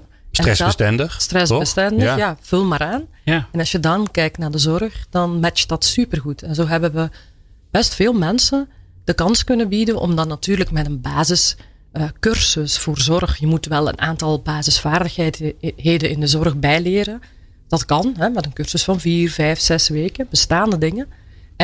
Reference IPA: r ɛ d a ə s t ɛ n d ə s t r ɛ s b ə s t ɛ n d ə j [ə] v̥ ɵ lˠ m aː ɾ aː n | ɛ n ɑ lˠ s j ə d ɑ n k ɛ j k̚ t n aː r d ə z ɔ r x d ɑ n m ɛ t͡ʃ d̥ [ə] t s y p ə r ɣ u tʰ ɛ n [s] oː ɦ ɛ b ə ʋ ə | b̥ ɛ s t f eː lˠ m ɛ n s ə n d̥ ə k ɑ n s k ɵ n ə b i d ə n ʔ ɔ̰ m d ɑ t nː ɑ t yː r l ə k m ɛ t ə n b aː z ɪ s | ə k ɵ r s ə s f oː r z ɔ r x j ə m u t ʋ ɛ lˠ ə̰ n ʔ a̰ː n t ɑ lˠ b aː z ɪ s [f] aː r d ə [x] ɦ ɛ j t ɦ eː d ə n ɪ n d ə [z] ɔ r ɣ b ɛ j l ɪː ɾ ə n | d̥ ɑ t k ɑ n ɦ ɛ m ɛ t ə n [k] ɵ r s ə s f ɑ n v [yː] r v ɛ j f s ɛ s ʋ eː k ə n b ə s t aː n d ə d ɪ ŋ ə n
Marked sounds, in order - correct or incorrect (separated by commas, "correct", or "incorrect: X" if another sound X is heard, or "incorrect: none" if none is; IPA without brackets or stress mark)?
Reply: incorrect: a, incorrect: ɑ, incorrect: z, correct, correct, correct, correct, incorrect: iː